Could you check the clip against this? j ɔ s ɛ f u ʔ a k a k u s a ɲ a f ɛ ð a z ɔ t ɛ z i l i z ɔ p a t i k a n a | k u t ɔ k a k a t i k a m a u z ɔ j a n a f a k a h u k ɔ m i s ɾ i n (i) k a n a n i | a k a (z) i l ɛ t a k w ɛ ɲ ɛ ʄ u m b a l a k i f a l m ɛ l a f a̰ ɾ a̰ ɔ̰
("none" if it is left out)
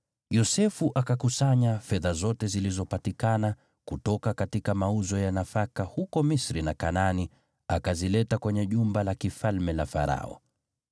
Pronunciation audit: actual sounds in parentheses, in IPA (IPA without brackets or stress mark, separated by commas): a, z